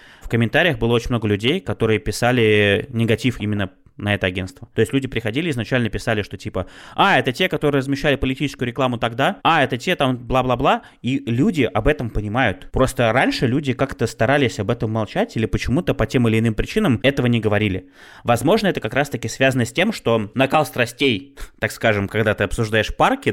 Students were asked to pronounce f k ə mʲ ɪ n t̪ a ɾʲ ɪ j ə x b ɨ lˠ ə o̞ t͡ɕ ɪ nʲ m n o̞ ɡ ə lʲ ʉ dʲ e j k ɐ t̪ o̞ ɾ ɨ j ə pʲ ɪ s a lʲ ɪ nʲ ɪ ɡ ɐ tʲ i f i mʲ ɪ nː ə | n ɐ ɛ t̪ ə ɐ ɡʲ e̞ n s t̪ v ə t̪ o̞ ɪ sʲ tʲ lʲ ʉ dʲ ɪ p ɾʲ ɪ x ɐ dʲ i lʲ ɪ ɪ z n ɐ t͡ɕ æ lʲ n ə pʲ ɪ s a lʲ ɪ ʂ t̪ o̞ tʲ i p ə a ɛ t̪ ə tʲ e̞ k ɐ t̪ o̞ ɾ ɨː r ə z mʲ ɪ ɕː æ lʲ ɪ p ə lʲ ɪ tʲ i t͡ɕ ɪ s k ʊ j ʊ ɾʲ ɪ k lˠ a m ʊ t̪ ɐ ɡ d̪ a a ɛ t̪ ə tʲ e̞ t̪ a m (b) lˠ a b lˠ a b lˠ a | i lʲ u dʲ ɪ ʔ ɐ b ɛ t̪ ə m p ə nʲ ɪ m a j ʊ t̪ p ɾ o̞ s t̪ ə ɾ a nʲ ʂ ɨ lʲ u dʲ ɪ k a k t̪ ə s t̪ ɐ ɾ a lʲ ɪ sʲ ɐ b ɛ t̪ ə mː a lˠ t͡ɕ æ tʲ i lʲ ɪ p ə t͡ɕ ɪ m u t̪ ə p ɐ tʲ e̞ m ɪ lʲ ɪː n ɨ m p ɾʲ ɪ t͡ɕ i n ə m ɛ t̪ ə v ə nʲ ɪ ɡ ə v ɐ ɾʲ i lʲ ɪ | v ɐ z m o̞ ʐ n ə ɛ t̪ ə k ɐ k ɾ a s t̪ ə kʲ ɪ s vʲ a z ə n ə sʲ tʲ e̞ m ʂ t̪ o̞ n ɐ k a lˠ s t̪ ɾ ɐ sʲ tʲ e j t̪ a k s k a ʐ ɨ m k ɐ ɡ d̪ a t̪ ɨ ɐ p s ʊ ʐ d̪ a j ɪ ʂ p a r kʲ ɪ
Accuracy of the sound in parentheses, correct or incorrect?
correct